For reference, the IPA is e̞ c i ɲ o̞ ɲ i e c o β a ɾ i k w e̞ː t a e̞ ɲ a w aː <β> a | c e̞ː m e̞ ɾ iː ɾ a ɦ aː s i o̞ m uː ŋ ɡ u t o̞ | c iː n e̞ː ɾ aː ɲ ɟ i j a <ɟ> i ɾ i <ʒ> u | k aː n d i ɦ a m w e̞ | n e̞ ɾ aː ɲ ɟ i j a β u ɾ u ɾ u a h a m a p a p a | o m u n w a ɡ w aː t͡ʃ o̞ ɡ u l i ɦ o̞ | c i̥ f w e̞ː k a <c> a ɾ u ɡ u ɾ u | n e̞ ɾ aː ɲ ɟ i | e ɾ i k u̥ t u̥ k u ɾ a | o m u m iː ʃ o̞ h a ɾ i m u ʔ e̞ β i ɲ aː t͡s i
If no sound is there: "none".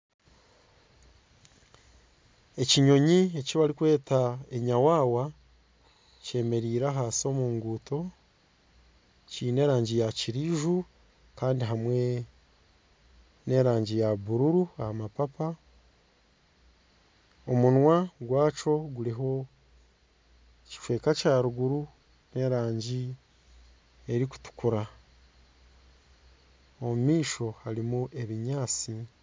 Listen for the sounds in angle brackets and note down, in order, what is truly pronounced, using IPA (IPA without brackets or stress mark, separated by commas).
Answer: w, c, ʒ, c